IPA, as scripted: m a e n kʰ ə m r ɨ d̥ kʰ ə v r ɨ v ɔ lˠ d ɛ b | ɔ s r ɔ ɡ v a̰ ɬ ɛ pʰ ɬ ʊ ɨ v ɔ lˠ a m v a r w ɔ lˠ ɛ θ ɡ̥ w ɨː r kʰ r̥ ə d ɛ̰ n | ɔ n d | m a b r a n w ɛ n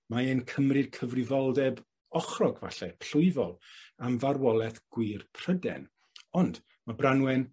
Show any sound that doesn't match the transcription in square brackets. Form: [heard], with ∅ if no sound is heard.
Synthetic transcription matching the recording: m a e n kʰ ə m r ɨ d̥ kʰ ə v r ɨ v ɔ lˠ d ɛ b | ɔ [χ] r ɔ ɡ v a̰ ɬ ɛ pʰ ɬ ʊ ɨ v ɔ lˠ a m v a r w ɔ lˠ ɛ θ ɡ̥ w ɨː r [pʰ] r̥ ə d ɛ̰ n | ɔ n d | m a b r a n w ɛ n